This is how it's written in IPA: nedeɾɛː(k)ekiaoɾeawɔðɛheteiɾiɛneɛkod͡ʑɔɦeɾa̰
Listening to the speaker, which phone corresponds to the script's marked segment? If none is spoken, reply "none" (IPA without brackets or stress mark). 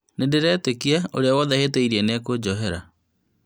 t